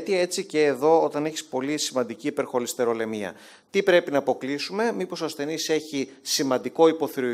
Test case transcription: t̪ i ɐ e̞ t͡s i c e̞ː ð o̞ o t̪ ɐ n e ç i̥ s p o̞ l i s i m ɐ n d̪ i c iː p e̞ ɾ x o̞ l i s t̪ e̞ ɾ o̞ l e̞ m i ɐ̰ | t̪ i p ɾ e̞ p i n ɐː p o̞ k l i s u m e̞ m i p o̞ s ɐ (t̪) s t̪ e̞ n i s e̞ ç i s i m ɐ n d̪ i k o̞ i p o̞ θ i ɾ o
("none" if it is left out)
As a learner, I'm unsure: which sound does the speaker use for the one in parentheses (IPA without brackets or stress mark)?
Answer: none